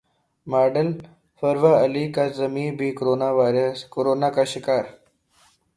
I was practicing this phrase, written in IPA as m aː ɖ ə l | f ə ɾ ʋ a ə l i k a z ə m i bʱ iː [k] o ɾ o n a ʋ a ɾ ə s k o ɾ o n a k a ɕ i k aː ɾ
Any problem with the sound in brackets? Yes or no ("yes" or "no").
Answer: no